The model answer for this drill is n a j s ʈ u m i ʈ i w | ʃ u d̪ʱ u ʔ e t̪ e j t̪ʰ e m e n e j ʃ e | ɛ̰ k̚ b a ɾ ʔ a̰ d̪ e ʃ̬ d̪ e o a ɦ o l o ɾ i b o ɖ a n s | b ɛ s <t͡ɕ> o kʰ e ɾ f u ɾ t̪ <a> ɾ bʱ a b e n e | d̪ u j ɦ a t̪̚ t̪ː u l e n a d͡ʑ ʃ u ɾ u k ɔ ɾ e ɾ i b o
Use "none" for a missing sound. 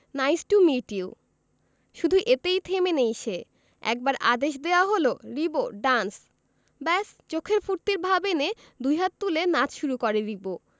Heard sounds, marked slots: t͡ɕ, i

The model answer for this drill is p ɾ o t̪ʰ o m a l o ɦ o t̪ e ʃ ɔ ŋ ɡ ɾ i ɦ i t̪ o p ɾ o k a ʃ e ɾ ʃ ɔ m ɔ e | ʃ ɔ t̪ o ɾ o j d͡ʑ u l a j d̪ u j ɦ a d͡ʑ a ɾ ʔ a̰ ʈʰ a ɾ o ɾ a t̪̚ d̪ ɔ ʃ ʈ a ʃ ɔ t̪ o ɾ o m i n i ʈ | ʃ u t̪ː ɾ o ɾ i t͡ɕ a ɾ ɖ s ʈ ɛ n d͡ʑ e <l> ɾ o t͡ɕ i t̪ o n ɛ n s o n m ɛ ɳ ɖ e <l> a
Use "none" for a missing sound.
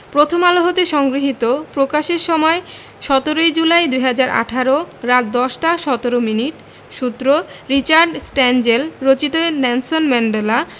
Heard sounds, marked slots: l, l

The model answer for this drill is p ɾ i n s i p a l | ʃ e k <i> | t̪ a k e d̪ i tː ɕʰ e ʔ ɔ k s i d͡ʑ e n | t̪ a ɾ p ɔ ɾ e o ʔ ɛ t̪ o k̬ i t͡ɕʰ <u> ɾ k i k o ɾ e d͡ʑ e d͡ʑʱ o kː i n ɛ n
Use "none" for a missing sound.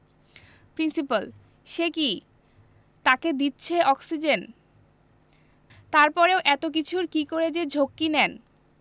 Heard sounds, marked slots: i, u

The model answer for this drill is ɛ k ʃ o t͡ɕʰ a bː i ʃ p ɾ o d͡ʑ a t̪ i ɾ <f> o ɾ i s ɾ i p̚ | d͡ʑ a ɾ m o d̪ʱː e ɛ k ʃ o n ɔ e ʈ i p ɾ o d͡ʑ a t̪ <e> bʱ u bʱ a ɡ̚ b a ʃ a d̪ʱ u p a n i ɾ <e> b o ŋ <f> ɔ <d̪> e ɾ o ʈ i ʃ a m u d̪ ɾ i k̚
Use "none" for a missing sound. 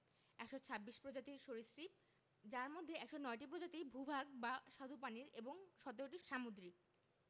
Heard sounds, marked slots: ʃ, i, e, ʃ, t̪

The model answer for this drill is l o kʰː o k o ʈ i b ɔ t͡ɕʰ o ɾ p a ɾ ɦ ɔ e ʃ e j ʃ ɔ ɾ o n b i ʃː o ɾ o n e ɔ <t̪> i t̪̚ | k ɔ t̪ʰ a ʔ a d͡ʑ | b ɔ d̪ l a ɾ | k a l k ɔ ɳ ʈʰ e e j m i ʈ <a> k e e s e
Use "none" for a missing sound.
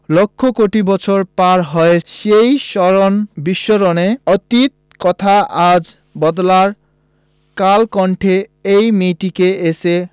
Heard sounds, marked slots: t̪, i

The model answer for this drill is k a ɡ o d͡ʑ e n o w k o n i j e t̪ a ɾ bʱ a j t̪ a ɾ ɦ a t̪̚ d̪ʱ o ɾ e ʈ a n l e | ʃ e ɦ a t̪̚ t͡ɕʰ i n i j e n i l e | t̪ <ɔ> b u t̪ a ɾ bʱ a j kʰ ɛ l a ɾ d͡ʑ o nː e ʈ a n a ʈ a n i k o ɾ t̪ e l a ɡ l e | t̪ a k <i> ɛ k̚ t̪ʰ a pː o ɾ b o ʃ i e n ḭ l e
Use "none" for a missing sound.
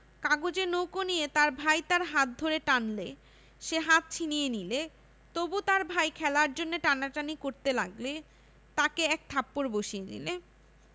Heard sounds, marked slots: o, e

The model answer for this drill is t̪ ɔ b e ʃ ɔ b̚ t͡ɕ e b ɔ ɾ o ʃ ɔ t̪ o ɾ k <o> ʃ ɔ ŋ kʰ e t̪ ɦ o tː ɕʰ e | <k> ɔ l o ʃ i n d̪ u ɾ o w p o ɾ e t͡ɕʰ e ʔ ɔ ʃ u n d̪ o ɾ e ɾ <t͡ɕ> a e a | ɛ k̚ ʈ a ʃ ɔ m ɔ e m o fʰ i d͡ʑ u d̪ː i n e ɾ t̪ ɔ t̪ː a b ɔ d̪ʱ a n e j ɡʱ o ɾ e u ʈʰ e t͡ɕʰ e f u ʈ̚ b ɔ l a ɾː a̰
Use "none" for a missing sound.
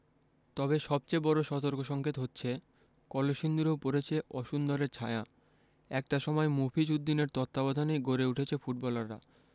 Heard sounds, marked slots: o, k, t͡ɕʰ

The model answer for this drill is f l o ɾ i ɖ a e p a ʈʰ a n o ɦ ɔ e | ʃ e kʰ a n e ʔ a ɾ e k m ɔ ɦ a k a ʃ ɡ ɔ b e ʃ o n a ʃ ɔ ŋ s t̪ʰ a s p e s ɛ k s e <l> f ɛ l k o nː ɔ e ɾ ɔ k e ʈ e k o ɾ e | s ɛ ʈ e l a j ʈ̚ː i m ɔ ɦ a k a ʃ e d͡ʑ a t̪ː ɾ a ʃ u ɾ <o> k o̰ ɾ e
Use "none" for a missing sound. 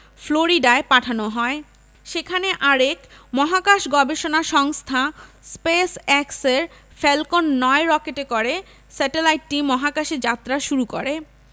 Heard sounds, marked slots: ɾ, u

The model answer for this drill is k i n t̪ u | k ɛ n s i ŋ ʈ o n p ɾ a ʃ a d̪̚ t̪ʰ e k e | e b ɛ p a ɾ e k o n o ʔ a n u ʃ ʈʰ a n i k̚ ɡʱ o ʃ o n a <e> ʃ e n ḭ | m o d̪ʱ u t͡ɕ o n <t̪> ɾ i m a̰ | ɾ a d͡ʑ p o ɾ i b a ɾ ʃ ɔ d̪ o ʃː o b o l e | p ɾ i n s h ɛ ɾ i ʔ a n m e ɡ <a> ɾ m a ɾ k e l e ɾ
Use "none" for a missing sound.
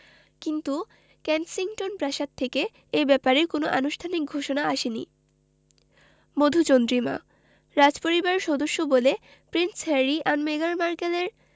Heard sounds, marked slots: a, d̪, a

